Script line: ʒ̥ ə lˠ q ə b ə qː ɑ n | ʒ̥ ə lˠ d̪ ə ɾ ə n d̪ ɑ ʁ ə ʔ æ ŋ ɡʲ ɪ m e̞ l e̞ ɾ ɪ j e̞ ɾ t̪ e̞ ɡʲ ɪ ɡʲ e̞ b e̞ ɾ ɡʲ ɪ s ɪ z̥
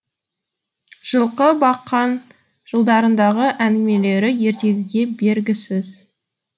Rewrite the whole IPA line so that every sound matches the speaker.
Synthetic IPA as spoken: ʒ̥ ə lˠ q ə b ɑ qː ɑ n | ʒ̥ ə lˠ d̪ ɑ ɾ ə n d̪ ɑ ʁ ə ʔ æ ŋ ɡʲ ɪ m e̞ l e̞ ɾ ɪ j e̞ ɾ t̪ e̞ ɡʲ ɪ ɡʲ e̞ b e̞ ɾ ɡʲ ɪ s ɪ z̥